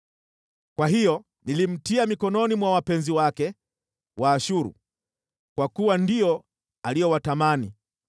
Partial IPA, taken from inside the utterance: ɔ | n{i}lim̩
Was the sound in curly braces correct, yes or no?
yes